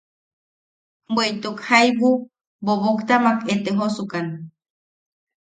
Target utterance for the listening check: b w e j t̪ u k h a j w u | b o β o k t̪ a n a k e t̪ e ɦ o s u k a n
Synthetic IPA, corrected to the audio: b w e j t̪ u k h a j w u | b o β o k t̪ a m a k e t̪ e ɦ o s u k a n